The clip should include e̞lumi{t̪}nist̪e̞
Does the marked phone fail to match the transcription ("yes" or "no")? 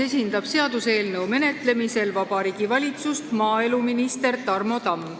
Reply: yes